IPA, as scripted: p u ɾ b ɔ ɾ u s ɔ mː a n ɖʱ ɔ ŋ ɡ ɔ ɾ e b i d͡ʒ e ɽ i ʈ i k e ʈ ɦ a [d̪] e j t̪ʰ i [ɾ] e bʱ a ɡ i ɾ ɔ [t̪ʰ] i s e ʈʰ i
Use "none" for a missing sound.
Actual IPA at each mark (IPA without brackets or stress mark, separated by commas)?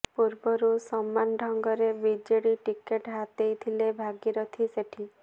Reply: t̪, l, t̪ʰ